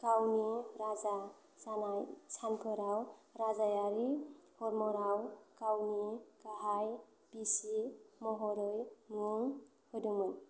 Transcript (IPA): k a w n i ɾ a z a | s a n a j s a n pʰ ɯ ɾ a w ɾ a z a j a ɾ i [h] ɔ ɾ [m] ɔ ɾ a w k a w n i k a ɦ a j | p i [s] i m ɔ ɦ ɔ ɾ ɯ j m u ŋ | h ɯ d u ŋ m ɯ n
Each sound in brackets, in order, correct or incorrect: correct, correct, correct

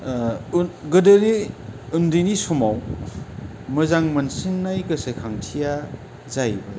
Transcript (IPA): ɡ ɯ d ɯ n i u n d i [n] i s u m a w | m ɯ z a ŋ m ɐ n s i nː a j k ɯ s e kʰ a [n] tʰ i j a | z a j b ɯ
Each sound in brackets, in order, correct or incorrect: correct, incorrect: ŋ

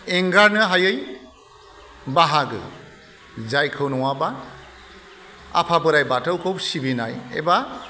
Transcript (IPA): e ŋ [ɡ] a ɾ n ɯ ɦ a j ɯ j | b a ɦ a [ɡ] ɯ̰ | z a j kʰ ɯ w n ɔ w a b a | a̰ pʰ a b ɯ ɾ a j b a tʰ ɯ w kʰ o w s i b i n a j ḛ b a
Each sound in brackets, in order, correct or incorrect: correct, correct

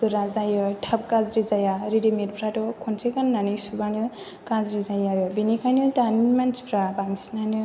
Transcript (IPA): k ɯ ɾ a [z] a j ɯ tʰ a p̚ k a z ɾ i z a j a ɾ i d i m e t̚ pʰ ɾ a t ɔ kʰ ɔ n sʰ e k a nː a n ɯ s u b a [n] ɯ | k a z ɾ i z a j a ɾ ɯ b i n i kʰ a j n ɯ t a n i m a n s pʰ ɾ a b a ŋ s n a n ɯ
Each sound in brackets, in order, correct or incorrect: correct, correct

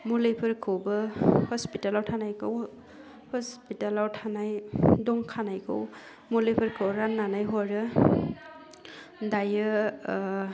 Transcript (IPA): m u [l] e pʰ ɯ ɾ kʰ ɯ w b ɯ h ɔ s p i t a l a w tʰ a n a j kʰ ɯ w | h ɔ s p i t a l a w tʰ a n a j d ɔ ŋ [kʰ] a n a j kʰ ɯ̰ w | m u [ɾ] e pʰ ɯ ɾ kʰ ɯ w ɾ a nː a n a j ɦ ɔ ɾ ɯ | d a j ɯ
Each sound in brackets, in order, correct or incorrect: correct, correct, incorrect: l

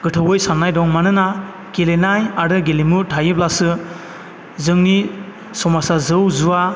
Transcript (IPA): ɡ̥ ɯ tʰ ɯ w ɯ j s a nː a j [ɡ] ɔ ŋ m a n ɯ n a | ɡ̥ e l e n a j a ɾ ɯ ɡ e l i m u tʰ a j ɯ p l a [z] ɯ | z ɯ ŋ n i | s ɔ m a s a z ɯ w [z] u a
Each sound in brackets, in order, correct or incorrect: incorrect: d, incorrect: s, correct

